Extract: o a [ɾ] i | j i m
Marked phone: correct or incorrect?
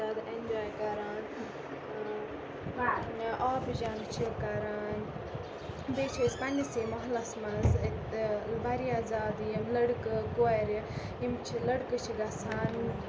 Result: correct